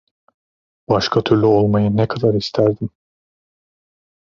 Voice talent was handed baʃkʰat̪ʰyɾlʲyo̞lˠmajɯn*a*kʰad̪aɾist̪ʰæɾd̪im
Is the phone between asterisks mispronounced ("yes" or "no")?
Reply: yes